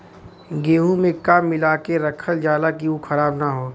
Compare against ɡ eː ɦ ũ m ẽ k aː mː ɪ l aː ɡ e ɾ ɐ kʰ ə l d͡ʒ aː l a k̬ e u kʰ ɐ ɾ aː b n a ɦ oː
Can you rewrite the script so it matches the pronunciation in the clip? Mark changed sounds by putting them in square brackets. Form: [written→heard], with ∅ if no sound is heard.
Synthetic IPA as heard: ɡ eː ɦ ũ m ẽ k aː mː ɪ l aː [ɡ→k] e ɾ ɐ kʰ ə l d͡ʒ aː l a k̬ [e→i] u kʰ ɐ ɾ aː b n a ɦ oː